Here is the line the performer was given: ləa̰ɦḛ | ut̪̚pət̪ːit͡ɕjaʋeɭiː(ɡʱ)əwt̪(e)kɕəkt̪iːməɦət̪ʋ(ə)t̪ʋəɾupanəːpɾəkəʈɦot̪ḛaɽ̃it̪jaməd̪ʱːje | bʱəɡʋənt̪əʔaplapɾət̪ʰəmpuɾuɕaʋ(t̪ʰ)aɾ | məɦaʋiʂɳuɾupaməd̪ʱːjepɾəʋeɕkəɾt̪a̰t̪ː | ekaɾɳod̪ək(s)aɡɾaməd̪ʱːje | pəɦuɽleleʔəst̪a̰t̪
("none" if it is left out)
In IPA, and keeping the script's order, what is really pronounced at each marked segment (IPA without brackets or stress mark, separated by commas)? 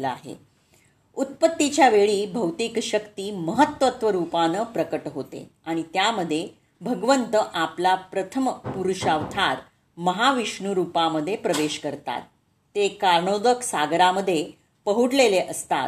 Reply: bʱ, i, ə, t̪ʰ, s